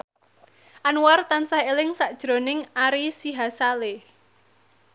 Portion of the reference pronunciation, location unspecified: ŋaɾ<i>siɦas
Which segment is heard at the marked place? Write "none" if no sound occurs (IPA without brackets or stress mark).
i